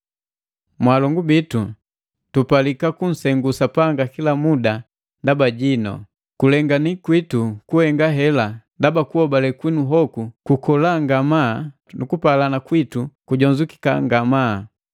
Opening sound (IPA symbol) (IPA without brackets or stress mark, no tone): m